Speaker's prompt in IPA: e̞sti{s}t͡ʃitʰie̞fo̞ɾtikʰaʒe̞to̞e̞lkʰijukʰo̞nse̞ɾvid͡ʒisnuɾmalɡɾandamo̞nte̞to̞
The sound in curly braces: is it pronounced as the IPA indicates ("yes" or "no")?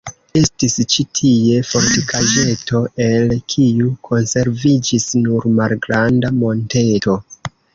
yes